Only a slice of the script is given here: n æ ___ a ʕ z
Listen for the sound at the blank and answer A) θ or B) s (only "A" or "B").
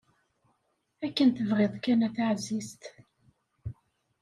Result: A